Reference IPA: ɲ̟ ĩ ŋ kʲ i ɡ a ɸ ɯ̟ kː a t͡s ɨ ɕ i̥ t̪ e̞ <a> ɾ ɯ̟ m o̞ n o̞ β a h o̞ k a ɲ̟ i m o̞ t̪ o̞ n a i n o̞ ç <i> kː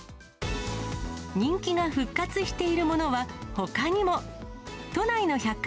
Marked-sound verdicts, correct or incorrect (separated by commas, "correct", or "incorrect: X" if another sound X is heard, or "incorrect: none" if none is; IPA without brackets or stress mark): incorrect: i, incorrect: a